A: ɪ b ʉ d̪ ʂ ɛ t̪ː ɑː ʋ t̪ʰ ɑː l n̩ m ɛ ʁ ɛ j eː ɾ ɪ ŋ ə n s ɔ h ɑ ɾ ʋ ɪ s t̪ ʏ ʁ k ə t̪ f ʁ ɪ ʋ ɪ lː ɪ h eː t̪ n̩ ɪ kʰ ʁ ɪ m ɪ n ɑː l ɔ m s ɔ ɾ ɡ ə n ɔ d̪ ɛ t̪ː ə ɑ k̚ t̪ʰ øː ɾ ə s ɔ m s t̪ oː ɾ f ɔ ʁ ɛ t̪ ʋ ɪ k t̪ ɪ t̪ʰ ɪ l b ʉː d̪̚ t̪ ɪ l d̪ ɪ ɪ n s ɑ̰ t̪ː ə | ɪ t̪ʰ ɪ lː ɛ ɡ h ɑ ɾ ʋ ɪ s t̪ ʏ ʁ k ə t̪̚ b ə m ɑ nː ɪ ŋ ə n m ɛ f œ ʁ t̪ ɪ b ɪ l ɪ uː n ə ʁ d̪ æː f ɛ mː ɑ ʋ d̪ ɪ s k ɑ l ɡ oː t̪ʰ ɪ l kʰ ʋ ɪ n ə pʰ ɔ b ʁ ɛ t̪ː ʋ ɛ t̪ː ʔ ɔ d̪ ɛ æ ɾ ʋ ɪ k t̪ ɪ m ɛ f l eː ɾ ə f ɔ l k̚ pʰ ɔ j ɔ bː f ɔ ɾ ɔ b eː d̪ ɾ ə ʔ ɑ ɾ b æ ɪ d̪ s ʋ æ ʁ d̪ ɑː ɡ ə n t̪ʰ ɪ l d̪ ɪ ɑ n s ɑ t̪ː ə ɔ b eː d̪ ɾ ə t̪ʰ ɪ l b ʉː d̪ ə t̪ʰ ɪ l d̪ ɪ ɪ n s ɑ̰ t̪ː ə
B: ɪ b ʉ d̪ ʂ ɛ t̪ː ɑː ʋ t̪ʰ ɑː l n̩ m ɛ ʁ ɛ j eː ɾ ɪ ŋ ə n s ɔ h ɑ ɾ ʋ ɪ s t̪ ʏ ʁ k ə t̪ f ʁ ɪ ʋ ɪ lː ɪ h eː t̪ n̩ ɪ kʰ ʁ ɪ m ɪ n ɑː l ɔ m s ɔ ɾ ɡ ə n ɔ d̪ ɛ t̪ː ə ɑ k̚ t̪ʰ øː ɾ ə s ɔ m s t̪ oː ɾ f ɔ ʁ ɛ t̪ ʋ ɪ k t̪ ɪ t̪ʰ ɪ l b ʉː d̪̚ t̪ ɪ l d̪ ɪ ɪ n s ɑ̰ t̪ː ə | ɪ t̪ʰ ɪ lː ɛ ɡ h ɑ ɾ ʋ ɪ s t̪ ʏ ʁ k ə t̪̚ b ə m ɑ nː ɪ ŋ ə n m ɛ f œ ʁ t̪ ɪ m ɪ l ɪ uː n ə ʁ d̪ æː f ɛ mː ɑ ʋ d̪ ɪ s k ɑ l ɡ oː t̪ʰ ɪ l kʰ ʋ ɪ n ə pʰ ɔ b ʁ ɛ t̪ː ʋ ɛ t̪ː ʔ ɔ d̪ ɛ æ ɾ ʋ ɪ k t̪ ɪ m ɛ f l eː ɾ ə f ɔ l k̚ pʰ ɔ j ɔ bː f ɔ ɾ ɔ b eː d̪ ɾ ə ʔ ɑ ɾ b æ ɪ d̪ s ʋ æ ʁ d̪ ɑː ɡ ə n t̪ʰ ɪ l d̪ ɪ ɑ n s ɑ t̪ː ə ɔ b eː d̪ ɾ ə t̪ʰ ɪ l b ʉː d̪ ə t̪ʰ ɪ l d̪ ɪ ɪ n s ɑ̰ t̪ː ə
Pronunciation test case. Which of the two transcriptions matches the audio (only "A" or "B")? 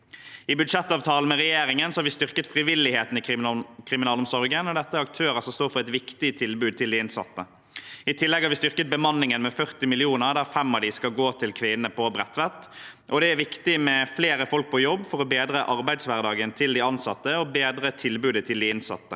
B